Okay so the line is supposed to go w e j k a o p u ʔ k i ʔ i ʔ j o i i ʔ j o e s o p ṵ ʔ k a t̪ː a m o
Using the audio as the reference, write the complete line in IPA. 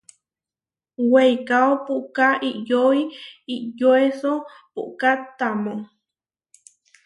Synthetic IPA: w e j k a o p u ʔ k a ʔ i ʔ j o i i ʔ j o e s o p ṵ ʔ k a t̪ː a m o

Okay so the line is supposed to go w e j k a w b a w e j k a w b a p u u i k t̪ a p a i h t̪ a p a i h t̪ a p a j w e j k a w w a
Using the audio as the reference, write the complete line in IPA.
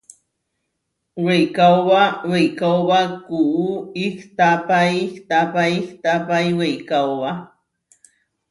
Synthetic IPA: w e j k a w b a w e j k a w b a k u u i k t̪ a p a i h t̪ a p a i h t̪ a p a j w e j k a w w a

